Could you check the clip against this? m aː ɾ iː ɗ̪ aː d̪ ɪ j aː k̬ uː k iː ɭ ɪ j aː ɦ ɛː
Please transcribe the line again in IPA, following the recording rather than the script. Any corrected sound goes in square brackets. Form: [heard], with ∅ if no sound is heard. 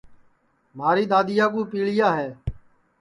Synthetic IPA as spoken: m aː ɾ iː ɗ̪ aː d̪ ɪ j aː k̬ uː [p] iː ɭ ɪ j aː ɦ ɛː